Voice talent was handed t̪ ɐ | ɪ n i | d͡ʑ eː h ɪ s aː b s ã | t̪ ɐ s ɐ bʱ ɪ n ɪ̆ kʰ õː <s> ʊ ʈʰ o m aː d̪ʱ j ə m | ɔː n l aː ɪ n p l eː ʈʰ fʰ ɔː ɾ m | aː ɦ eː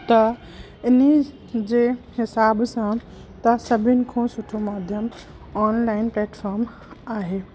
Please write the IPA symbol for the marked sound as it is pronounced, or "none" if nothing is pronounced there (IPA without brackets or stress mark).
s